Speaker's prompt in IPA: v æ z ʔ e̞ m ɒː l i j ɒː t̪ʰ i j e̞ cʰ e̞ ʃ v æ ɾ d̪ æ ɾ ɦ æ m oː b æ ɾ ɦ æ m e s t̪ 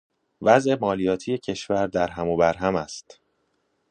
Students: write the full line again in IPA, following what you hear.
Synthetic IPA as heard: v æ z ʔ e̞ m ɒː l i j ɒː t̪ʰ i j e̞ cʰ e̞ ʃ v æ ɾ d̪ æ ɾ ɦ æ m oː b æ ɾ ɦ æ m æ s t̪